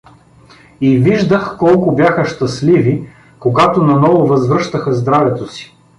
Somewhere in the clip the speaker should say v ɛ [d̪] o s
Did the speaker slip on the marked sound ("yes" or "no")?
yes